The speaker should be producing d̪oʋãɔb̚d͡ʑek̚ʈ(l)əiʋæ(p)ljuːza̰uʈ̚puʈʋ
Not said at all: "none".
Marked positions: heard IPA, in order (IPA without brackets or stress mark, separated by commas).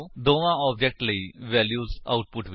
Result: l, none